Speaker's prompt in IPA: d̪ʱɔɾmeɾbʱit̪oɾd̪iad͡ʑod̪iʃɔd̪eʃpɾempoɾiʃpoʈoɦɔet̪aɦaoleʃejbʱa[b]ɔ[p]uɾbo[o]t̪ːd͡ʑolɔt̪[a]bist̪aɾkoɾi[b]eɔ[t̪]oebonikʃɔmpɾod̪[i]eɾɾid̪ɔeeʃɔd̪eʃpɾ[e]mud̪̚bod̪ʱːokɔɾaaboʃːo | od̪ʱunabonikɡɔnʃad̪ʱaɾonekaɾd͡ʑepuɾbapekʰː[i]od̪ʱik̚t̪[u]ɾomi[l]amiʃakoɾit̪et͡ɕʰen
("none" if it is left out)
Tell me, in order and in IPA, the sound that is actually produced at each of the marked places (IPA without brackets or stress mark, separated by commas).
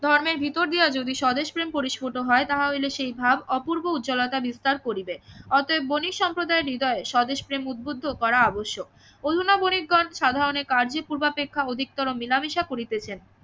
b, p, u, a, b, t̪, a, e, a, ɔ, l